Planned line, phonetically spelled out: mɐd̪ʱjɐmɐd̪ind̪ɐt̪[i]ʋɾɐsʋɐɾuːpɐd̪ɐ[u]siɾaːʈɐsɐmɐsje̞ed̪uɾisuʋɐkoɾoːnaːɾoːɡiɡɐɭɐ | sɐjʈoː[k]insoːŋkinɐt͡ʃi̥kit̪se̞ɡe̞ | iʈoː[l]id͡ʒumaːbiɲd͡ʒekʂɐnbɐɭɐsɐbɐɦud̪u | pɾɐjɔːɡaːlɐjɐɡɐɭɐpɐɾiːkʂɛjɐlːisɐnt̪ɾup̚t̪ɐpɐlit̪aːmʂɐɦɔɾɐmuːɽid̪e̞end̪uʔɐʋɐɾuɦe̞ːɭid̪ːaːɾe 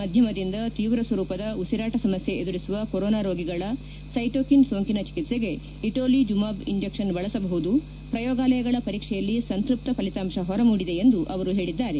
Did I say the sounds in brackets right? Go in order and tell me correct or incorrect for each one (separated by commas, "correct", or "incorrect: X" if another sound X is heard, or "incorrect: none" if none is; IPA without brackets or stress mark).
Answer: incorrect: iː, correct, correct, correct